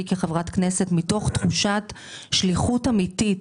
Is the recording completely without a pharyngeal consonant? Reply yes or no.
yes